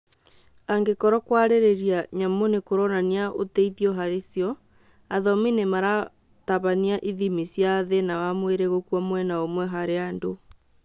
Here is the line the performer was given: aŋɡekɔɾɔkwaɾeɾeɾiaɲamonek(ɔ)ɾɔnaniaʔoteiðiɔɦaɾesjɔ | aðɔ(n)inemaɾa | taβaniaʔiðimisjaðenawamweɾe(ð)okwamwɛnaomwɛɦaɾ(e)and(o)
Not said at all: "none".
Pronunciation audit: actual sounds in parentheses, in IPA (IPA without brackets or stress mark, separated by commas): o, m, ɣ, e, o